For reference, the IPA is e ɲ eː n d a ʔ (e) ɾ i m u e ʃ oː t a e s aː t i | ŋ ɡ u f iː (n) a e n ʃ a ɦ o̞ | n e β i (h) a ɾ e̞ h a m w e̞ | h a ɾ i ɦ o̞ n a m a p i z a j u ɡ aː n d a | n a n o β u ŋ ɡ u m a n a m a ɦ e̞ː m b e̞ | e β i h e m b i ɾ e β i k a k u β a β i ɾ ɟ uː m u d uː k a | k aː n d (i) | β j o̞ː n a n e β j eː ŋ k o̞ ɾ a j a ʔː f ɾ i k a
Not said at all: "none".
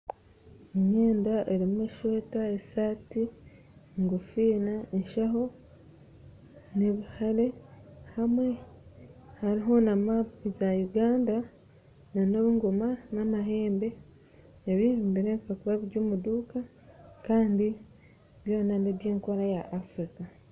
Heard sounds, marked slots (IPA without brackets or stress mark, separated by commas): e, n, h, i